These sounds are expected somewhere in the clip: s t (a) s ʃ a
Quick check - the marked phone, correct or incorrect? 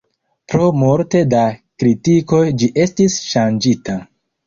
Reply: incorrect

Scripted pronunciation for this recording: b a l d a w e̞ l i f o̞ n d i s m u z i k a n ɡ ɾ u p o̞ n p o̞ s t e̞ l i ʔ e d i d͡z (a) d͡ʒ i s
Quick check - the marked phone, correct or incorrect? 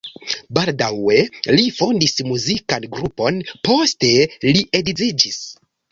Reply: incorrect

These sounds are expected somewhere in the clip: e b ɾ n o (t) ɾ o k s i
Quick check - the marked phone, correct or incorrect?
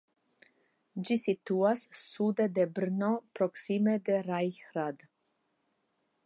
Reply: incorrect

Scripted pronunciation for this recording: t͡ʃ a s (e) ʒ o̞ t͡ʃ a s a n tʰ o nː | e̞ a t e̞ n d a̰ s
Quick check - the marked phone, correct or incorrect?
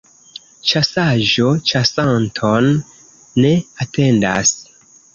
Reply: incorrect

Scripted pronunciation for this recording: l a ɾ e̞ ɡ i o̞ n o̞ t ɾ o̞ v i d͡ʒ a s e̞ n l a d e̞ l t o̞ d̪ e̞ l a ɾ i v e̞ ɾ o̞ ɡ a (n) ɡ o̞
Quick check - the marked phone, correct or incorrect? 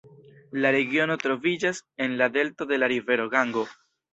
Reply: incorrect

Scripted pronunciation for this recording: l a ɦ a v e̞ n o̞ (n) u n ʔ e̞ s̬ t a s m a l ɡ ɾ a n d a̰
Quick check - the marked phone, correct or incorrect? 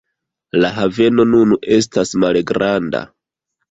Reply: correct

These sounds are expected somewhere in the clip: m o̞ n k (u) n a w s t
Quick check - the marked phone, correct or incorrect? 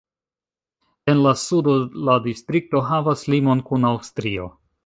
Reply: correct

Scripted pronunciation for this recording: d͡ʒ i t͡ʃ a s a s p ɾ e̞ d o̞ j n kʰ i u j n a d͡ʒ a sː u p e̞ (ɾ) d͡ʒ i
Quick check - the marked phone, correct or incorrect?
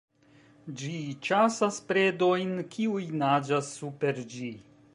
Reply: correct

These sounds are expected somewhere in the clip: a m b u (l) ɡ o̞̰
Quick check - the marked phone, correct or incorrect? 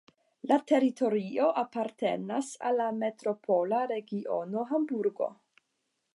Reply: incorrect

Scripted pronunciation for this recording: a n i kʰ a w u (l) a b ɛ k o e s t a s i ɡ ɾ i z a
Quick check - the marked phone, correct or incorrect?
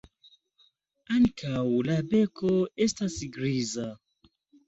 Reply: correct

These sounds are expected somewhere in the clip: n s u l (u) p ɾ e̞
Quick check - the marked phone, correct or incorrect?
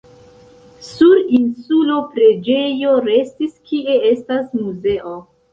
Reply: incorrect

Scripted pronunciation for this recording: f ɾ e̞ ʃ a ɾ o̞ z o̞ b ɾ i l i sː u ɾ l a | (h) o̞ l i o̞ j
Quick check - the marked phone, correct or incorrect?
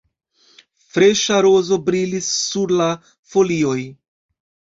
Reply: incorrect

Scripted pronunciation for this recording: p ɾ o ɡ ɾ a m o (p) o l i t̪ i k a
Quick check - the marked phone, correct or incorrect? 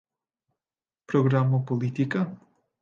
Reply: correct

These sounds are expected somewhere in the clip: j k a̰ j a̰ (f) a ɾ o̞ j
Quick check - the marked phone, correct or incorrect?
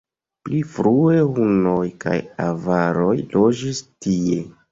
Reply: incorrect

